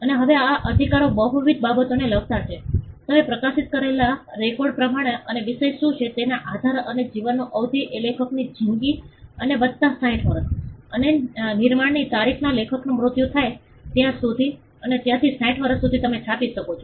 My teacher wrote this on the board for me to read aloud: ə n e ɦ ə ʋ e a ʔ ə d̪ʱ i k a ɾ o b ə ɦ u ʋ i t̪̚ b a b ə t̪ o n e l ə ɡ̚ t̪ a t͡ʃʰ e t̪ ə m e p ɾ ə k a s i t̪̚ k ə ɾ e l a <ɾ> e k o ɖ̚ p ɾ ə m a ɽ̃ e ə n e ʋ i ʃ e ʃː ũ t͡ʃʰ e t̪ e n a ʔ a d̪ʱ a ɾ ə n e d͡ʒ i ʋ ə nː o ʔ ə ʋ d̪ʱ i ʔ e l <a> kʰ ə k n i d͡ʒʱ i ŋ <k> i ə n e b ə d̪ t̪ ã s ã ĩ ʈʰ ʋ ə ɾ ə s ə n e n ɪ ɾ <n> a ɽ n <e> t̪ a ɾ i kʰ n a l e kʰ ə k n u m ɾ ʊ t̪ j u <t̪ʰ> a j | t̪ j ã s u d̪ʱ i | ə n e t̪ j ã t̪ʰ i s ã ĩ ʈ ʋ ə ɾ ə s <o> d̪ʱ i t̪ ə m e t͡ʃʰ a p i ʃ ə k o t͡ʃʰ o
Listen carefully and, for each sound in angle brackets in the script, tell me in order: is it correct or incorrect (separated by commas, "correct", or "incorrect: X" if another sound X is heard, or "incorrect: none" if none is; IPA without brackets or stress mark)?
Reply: correct, incorrect: e, incorrect: ɡ, incorrect: m, incorrect: i, correct, incorrect: u